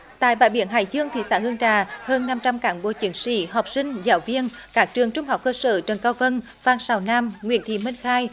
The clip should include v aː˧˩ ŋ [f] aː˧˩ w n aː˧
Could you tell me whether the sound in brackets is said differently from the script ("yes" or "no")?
yes